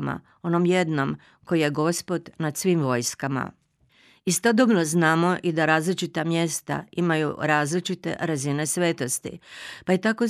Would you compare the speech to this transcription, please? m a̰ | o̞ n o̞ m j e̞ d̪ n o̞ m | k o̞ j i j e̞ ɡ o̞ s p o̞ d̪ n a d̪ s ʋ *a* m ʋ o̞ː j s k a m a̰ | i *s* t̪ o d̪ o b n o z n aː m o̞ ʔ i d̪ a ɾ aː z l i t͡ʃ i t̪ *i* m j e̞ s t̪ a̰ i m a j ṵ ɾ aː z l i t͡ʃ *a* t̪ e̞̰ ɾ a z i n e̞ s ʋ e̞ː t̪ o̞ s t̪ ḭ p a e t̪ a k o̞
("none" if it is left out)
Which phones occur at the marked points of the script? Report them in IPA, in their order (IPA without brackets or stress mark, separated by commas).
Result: i, s, a, i